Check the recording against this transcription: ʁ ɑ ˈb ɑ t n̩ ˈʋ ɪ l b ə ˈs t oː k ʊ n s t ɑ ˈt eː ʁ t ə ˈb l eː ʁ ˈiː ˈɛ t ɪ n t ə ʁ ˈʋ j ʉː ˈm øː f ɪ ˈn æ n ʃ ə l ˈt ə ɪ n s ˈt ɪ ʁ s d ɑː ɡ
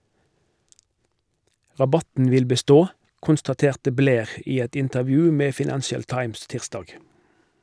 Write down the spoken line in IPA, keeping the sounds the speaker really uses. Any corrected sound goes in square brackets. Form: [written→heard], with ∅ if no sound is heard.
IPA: ʁ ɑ ˈb ɑ t n̩ ˈʋ ɪ l b ə ˈs t oː k ʊ n s t ɑ ˈt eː ʁ t ə ˈb l eː ʁ ˈiː ˈɛ t ɪ n t ə ʁ ˈʋ j ʉː ˈm [øː→eː] f ɪ ˈn æ n ʃ ə l ˈt [ə→ɑ] ɪ [n→m] s ˈt ɪ ʁ s d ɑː ɡ